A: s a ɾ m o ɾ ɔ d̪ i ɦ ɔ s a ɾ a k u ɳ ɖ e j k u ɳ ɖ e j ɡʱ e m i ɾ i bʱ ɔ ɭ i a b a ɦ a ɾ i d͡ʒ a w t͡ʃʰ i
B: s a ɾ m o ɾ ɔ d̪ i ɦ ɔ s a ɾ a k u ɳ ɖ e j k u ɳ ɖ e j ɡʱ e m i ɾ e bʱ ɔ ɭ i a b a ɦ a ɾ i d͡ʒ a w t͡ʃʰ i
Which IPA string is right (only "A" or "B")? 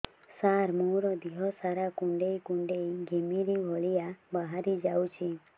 A